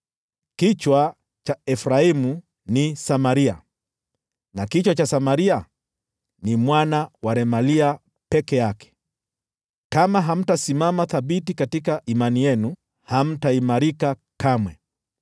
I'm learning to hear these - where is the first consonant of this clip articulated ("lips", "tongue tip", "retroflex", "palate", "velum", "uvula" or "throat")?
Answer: velum